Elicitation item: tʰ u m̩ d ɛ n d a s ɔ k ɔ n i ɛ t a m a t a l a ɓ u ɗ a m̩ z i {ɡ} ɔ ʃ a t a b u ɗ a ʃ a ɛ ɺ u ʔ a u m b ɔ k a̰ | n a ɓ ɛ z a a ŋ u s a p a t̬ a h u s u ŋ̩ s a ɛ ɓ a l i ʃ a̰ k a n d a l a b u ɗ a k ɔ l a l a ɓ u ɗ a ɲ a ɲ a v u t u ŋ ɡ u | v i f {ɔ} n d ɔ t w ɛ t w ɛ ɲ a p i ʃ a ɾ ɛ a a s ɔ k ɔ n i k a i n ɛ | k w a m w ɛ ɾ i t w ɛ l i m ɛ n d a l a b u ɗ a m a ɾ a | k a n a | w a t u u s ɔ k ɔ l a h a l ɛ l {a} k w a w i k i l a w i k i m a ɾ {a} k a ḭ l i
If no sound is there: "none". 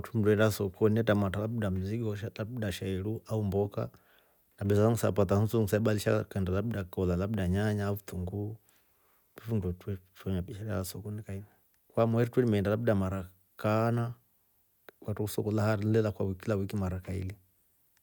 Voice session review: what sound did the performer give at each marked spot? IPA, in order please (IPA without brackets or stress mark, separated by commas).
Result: ɡ, u, a, a